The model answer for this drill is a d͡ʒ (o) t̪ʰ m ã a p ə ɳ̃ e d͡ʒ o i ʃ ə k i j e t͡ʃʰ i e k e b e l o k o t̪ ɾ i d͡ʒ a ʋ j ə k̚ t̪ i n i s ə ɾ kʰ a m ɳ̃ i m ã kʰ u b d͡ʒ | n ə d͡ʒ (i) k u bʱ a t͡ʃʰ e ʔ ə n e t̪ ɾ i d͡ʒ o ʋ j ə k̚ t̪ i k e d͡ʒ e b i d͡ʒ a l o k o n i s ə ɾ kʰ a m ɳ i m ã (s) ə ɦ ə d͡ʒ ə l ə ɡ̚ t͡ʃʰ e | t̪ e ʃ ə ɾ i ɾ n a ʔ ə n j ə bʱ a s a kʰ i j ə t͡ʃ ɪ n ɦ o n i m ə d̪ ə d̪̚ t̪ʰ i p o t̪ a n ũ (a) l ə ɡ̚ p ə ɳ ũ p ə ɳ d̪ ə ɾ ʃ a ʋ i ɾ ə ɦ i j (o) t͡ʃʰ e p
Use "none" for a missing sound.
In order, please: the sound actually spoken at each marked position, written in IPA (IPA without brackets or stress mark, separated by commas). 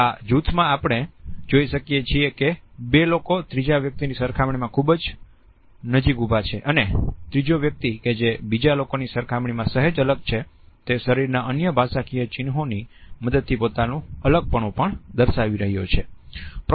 u, i, s, ə, o